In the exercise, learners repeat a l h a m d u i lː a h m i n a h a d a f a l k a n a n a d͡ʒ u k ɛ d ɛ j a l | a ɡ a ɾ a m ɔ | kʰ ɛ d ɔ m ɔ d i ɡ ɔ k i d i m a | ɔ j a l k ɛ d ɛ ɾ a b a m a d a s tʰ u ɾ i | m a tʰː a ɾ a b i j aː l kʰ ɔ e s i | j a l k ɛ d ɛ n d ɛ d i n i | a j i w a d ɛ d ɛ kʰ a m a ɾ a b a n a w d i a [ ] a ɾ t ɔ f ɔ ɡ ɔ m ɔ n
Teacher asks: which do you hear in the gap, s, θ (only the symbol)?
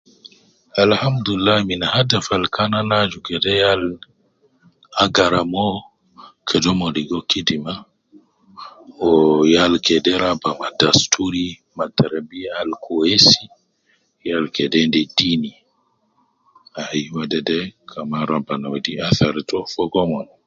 θ